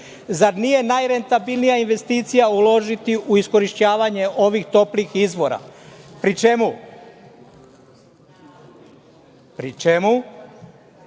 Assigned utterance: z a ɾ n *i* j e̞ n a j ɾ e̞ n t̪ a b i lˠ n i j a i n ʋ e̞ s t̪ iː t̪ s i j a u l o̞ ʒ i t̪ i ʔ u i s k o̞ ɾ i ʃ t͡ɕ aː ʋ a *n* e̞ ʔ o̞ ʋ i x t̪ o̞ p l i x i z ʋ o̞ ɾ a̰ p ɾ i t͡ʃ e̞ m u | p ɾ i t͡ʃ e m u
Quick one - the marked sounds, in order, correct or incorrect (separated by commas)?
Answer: correct, incorrect